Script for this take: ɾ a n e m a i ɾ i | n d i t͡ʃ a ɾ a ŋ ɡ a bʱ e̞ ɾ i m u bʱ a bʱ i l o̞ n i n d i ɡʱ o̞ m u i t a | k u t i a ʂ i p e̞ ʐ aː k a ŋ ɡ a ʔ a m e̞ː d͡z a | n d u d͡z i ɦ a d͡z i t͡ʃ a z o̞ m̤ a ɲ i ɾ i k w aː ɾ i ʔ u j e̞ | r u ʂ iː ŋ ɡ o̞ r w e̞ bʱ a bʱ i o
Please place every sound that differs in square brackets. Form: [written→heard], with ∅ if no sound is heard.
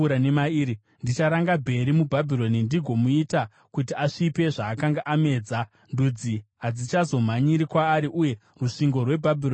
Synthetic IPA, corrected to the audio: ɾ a n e m a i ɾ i | n d i t͡ʃ a ɾ a ŋ ɡ a bʱ e̞ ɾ i m u bʱ a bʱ i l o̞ n i n d i ɡʱ o̞ m u i t a | k u t i a ʂ i p e̞ ʐ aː k a ŋ ɡ a ʔ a m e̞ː d͡z a | n d u d͡z i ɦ a d͡z i t͡ʃ a z o̞ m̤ a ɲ i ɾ i k w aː ɾ i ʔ u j e̞ | r u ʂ [iː→i] ŋ ɡ o̞ r w e̞ bʱ a bʱ i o